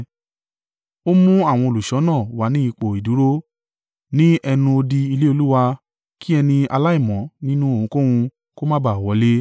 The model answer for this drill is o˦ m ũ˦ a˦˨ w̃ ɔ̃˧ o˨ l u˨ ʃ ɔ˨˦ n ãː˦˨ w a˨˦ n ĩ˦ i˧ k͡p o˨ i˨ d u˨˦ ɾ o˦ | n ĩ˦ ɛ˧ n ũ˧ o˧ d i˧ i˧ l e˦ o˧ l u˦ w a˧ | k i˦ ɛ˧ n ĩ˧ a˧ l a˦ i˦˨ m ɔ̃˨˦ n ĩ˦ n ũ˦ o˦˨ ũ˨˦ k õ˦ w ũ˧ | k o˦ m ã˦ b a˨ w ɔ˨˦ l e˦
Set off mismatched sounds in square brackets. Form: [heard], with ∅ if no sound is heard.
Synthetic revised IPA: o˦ m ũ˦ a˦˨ w̃ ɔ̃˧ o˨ l u˨ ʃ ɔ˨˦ n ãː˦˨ w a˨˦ n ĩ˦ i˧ k͡p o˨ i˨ d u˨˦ ɾ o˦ | n ĩ˦ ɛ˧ n ũ˧ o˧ d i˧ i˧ l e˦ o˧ l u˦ w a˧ | k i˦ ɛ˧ n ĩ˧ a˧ l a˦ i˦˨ m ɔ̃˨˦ n ĩ˦ n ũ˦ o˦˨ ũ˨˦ k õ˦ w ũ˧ | k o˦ m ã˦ b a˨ w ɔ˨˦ l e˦